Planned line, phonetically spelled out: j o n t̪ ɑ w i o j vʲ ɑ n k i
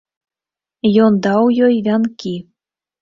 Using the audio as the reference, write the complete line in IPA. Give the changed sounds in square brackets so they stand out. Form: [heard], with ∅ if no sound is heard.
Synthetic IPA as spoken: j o n [d̪] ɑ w [j] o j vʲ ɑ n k i